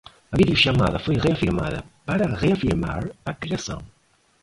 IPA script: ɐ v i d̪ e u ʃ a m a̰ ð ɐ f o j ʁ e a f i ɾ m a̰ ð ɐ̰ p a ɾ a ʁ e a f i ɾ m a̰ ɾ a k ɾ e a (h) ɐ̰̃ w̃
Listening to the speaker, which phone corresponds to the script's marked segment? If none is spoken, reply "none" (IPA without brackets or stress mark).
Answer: s